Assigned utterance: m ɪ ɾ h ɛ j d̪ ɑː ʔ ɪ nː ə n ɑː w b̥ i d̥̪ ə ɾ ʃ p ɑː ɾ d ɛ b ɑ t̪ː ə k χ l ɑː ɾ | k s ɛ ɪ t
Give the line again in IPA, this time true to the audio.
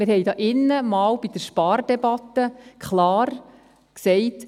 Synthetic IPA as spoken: m ɪ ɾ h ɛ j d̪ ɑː ʔ ɪ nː ə m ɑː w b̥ i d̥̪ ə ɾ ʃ p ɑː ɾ d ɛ b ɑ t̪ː ə k χ l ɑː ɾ | k s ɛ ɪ t